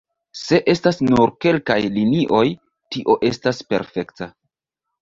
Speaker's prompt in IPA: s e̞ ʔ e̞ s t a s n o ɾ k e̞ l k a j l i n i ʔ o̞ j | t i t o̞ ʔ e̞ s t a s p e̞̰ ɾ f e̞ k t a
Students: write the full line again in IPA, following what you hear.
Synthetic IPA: s e̞ ʔ e̞ s t a s n u ɾ k e̞ l k a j l i n i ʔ o̞ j | t i ʔ o̞ ʔ e̞ s t a s p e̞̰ ɾ f e̞ k t a